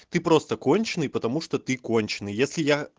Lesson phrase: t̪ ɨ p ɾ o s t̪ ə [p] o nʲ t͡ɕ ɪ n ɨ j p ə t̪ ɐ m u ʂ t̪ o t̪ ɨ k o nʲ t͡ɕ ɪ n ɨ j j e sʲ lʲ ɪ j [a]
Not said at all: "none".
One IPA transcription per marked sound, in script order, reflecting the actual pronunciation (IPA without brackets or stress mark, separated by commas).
k, a